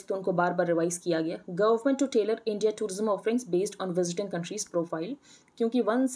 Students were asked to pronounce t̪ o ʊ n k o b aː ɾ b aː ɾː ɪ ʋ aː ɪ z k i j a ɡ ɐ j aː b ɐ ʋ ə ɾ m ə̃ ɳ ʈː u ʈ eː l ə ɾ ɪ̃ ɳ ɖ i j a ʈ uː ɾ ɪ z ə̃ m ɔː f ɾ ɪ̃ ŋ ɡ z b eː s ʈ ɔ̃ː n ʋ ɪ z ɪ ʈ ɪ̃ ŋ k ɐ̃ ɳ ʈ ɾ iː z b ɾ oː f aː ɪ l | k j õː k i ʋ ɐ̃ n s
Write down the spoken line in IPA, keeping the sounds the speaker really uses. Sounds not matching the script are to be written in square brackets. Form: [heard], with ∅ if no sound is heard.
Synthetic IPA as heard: t̪ o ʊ n k o b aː ɾ b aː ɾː ɪ ʋ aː ɪ z k i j a ɡ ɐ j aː [ɡ] ɐ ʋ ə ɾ m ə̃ ɳ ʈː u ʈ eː l ə ɾ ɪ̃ ɳ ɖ i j a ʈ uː ɾ ɪ z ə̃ m ɔː f ɾ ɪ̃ ŋ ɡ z b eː s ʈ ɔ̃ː n ʋ ɪ z ɪ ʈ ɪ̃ ŋ k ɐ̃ ɳ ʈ ɾ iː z [p] ɾ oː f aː ɪ l | k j õː k i ʋ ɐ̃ n s

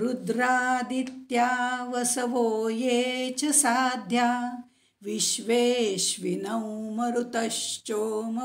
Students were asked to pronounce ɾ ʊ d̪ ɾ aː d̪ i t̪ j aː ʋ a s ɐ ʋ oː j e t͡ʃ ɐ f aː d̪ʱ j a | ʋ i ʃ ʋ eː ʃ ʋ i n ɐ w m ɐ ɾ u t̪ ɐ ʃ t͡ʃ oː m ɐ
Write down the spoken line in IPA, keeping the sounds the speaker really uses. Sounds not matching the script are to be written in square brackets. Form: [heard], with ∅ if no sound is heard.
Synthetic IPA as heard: ɾ [u] d̪ ɾ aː d̪ i t̪ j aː ʋ [ɐ] s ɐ ʋ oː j e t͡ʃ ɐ [s] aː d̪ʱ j a | ʋ i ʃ ʋ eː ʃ ʋ i n ɐ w m ɐ ɾ u t̪ ɐ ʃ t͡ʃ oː m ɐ

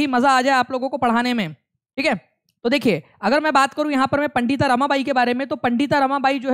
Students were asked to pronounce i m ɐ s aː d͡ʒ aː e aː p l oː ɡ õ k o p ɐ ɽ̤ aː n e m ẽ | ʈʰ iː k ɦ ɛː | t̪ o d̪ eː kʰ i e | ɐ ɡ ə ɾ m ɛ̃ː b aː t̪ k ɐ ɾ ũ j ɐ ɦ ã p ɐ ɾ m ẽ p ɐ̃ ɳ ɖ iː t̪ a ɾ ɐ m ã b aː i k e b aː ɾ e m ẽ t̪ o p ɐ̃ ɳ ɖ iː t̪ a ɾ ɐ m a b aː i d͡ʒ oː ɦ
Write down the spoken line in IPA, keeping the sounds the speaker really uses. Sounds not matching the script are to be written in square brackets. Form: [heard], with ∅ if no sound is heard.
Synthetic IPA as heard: i m ɐ [z] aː d͡ʒ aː e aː p l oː ɡ õ k o p ɐ ɽ̤ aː n e m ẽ | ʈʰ iː k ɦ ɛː | t̪ o d̪ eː kʰ i e | ɐ ɡ ə ɾ m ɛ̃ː b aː t̪ k ɐ ɾ ũ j ɐ ɦ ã p ɐ ɾ m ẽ p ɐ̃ ɳ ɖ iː t̪ a ɾ ɐ m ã b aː i k e b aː ɾ e m ẽ t̪ o p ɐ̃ ɳ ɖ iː t̪ a ɾ ɐ m a b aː i d͡ʒ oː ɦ

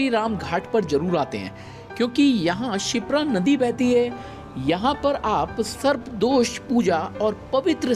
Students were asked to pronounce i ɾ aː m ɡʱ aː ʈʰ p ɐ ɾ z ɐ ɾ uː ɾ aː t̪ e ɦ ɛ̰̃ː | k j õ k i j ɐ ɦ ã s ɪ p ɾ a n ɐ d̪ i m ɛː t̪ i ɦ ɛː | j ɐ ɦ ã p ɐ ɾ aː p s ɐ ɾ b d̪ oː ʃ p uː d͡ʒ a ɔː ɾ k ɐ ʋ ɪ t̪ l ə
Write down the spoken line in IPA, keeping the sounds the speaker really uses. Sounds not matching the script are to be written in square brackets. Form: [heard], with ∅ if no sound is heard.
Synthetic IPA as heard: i ɾ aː m ɡʱ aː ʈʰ p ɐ ɾ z ɐ ɾ uː ɾ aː t̪ e ɦ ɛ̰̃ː | k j [õː] k i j ɐ ɦ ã [ʃ] ɪ p ɾ a n ɐ d̪ i [b] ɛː t̪ i ɦ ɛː | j ɐ ɦ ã p ɐ ɾ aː p s ɐ ɾ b d̪ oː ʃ p uː d͡ʒ a ɔː ɾ [p] ɐ ʋ ɪ t̪ [ɾ] ə

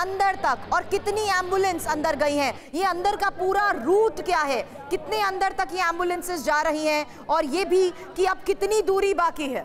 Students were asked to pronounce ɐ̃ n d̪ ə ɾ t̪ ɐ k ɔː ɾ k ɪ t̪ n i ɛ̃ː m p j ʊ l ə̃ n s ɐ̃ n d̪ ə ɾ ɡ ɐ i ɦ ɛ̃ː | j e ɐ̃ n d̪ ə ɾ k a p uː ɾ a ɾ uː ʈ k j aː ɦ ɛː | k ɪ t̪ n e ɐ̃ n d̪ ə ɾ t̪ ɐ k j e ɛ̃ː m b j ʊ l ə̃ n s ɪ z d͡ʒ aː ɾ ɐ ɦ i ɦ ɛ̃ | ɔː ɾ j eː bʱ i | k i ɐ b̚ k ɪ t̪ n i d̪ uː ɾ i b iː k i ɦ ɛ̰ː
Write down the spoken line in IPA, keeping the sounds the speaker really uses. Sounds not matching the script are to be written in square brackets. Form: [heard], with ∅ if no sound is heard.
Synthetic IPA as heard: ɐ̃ n d̪ ə ɾ t̪ ɐ k ɔː ɾ k ɪ t̪ n i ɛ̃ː m [b] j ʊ l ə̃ n s ɐ̃ n d̪ ə ɾ ɡ ɐ i ɦ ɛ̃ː | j e ɐ̃ n d̪ ə ɾ k a p uː ɾ a ɾ uː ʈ k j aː ɦ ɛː | k ɪ t̪ n e ɐ̃ n d̪ ə ɾ t̪ ɐ k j e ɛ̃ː m b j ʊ l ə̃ n s ɪ z d͡ʒ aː ɾ ɐ ɦ i ɦ ɛ̃ | ɔː ɾ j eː bʱ i | k i ɐ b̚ k ɪ t̪ n i d̪ uː ɾ i b [aː] k i ɦ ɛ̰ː

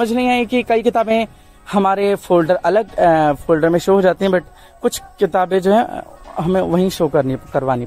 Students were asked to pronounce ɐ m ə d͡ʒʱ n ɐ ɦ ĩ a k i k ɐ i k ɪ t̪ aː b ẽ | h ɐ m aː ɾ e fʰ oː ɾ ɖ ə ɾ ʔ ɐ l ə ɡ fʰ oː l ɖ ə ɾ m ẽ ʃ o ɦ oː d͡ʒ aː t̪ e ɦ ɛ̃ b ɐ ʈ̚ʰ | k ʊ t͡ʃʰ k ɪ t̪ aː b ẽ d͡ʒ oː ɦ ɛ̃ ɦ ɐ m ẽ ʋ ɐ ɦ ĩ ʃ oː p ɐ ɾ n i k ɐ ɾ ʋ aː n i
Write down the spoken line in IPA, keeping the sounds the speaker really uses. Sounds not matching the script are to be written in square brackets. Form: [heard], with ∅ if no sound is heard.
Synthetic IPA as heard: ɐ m ə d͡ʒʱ n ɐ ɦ ĩ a k i k ɐ i k ɪ t̪ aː b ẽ | h ɐ m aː ɾ e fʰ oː [l] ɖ ə ɾ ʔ ɐ l ə ɡ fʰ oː l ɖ ə ɾ m ẽ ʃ o ɦ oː d͡ʒ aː t̪ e ɦ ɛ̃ b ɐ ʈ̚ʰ | k ʊ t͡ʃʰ k ɪ t̪ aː b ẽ d͡ʒ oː ɦ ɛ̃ ɦ ɐ m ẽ ʋ ɐ ɦ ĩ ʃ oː [k] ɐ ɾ n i k ɐ ɾ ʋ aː n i

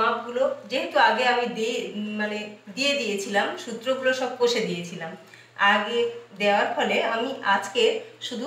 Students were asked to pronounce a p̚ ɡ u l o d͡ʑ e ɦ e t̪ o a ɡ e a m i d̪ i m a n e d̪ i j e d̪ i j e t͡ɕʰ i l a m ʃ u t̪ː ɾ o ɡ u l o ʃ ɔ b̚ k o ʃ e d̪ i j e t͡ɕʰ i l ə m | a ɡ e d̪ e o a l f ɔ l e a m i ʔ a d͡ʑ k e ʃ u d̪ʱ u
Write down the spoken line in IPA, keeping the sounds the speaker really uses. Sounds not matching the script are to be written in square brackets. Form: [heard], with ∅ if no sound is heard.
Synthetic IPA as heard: a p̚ ɡ u l o d͡ʑ e ɦ e t̪ [u] a ɡ e a m i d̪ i m a n e d̪ i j e d̪ i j e t͡ɕʰ i l a m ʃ u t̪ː ɾ o ɡ u l o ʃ ɔ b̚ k o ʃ e d̪ i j e t͡ɕʰ i l [a] m | a ɡ e d̪ e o a [ɾ] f ɔ l e a m i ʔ a d͡ʑ k e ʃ u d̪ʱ u

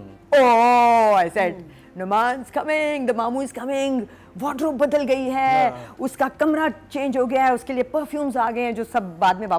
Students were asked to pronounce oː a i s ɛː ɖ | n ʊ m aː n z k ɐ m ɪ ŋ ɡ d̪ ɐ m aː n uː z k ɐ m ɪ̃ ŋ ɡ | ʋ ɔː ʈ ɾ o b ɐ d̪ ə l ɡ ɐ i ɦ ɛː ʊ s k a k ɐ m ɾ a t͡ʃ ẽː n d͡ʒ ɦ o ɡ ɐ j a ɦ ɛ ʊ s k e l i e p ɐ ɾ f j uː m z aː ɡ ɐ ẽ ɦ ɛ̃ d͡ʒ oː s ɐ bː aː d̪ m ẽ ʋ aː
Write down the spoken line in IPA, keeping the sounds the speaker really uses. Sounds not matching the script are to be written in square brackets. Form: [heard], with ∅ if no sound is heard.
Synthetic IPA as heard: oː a [ɪ] s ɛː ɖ | n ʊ m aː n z k ɐ m ɪ ŋ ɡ d̪ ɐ m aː [m] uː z k ɐ m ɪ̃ ŋ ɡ | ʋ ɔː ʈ ɾ o b ɐ d̪ ə l ɡ ɐ i ɦ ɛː ʊ s k a k ɐ m ɾ a t͡ʃ ẽː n d͡ʒ ɦ o ɡ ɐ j a ɦ ɛ ʊ s k e l i e p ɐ ɾ f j uː m z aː ɡ ɐ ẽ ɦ ɛ̃ d͡ʒ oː s ɐ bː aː d̪ m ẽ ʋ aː

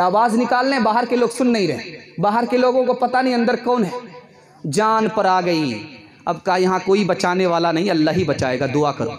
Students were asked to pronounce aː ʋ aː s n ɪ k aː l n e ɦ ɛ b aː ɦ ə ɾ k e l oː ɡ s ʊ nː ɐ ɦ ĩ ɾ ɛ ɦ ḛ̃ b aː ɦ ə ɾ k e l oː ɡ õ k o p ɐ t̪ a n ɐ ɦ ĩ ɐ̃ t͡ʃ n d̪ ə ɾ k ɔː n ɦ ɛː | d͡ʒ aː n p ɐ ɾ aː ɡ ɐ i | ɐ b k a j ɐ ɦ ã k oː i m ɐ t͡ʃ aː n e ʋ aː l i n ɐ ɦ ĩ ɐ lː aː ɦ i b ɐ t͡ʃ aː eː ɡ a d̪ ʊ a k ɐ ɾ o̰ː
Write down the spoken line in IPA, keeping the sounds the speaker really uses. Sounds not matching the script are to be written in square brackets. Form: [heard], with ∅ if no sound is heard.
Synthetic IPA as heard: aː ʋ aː [z] n ɪ k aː l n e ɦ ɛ b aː ɦ ə ɾ k e l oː ɡ s ʊ nː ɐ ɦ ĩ ɾ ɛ ɦ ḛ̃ b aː ɦ ə ɾ k e l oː ɡ õ k o p ɐ t̪ a n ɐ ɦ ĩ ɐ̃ [∅] n d̪ ə ɾ k ɔː n ɦ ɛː | d͡ʒ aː n p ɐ ɾ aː ɡ ɐ i | ɐ b k a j ɐ ɦ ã k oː i [b] ɐ t͡ʃ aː n e ʋ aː l [a] n ɐ ɦ ĩ ɐ lː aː ɦ i b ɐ t͡ʃ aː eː ɡ a d̪ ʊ a k ɐ ɾ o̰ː

